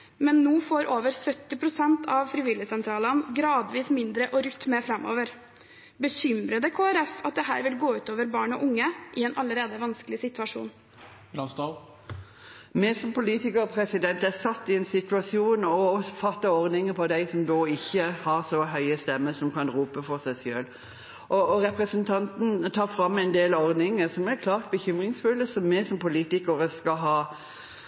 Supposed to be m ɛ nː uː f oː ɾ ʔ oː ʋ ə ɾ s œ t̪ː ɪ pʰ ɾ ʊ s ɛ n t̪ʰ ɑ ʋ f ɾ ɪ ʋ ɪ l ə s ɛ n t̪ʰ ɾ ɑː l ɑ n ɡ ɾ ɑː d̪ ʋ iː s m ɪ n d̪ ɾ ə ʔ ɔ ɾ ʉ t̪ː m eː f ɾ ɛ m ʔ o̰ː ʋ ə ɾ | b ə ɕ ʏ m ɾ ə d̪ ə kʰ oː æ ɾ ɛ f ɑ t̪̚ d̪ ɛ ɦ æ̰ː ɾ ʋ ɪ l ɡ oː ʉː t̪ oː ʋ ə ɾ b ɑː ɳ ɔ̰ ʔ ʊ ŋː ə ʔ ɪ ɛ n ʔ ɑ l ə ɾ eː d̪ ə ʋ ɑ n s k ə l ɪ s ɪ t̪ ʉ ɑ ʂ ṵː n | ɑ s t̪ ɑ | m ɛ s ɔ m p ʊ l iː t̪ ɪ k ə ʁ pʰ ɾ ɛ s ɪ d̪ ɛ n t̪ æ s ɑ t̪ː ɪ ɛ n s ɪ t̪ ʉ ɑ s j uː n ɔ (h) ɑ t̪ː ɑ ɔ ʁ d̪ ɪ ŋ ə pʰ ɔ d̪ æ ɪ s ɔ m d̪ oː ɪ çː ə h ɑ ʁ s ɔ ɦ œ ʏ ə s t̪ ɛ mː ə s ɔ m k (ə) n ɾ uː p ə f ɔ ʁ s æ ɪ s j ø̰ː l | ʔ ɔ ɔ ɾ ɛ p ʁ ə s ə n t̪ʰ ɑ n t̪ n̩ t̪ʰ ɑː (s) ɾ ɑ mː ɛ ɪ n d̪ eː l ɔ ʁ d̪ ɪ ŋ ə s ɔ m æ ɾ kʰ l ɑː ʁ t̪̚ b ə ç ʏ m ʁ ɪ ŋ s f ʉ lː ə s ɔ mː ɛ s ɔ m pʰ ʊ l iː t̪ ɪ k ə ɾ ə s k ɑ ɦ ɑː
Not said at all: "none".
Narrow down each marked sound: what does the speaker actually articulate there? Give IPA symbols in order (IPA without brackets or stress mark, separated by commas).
f, ɑ, f